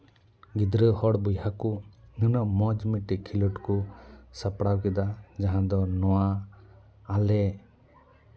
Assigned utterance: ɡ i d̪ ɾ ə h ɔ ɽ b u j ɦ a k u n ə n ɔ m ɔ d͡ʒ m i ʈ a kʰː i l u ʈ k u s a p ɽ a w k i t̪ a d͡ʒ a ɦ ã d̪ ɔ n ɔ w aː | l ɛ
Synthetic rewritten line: ɡ i d̪ ɾ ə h ɔ ɽ b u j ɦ a k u n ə n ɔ m ɔ d͡ʒ m i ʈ i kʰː i l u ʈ k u s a p ɽ a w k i d̪ a d͡ʒ a ɦ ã d̪ ɔ n ɔ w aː | l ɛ